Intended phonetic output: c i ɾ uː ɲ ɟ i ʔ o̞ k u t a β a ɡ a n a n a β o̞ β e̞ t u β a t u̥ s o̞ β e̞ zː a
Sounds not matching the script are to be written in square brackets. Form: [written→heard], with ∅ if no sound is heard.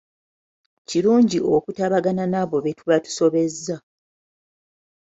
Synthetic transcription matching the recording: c i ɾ uː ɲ ɟ i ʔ o̞ k u t a β a ɡ a n a n a β o̞ β e̞ t u β a t u̥ s o̞ β e̞ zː a